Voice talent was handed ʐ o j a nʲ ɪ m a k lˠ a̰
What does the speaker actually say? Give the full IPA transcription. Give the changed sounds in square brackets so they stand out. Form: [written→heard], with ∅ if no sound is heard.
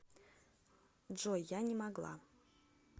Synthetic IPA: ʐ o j a nʲ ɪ m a [k→ɡ] lˠ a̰